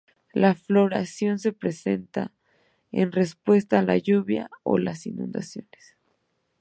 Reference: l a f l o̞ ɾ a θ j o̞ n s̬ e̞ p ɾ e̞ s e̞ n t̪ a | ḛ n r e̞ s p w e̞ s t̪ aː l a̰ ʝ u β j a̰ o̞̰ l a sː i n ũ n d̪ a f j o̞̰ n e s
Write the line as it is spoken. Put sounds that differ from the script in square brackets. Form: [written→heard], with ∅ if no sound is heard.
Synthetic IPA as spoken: l a f l o̞ ɾ a [θ→s] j o̞ n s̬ e̞ p ɾ e̞ s e̞ n t̪ a | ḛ n r e̞ s p w e̞ s t̪ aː l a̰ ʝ u β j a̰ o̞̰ l a [sː→s] i n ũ n d̪ a [f→s] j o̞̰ n e s

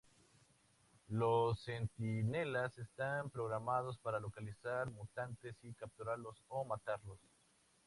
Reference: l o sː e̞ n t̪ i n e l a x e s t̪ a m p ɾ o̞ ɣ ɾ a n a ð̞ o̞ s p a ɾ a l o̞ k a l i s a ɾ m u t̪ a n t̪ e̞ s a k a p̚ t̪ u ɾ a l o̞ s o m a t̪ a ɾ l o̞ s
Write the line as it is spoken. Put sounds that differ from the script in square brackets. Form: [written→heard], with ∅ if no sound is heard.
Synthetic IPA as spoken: l o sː e̞ n t̪ i n e l a [x→s] e s t̪ a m p ɾ o̞ ɣ ɾ a [n→m] a ð̞ o̞ s p a ɾ a l o̞ k a l i s a ɾ m u t̪ a n t̪ e̞ s [a→i] k a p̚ t̪ u ɾ a l o̞ s o m a t̪ a ɾ l o̞ s

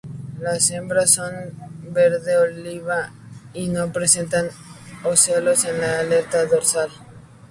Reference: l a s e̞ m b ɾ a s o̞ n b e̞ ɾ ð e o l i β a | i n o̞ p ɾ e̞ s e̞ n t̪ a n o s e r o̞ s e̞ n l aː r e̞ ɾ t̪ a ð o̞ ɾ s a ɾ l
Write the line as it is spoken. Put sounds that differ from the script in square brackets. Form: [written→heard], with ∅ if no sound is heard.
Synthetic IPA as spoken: l a s e̞ m b ɾ a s o̞ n b e̞ ɾ ð e o l i β a | i n o̞ p ɾ e̞ s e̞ n t̪ a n o s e [r→l] o̞ s e̞ n l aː [r→l] e̞ ɾ t̪ a ð o̞ ɾ s a [ɾ→∅] l

